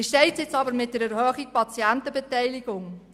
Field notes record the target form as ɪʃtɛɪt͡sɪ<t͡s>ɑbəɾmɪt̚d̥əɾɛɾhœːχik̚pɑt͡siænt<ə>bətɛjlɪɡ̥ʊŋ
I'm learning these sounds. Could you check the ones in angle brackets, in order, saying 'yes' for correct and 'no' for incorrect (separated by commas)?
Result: yes, yes